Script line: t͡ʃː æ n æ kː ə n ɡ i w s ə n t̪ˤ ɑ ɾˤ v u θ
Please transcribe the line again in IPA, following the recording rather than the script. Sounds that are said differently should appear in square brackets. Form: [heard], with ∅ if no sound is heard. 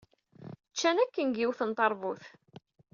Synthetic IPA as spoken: t͡ʃː æ n æ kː ə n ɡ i w [θ] ə n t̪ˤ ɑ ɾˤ v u θ